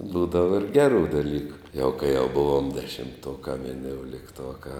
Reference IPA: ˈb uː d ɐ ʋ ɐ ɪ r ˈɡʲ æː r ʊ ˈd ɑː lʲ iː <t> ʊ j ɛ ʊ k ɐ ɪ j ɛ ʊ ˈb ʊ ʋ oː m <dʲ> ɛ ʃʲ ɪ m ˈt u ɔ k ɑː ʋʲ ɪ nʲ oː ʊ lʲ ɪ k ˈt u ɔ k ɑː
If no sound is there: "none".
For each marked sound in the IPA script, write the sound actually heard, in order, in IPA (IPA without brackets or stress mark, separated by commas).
k, dʲ